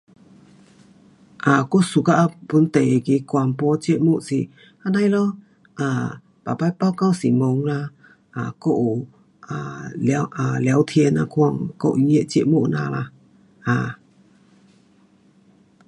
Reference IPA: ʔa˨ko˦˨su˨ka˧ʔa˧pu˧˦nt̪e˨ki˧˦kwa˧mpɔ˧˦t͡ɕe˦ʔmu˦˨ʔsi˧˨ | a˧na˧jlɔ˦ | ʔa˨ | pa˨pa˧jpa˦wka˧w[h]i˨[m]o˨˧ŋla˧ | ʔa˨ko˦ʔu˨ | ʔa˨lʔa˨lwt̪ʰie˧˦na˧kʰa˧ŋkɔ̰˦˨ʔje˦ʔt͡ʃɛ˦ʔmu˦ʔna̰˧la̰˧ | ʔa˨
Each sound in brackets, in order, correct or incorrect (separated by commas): incorrect, correct